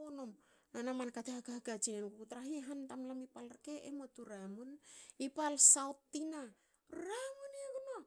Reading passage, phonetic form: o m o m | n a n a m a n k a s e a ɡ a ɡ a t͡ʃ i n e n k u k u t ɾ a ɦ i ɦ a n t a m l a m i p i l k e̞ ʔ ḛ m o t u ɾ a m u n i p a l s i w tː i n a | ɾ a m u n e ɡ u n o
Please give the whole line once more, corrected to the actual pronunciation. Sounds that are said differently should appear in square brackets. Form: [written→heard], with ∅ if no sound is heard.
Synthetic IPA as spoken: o [m→n] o m | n a n a m a n k a [s→t] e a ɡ a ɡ a t͡ʃ i n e n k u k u t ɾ a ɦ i ɦ a n t a m l a m i p [i→a] l k e̞ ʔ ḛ m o t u ɾ a m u n i p a l s [i→a] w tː i n a | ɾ a m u n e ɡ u n o